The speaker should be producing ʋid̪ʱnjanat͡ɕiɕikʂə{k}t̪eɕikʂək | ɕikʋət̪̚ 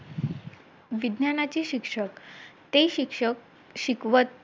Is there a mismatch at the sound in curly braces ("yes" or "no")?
no